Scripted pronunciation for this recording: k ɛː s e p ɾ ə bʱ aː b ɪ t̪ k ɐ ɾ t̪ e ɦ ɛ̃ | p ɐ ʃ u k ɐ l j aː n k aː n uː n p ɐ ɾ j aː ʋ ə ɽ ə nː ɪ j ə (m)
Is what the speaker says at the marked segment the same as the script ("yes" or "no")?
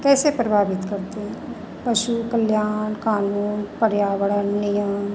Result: yes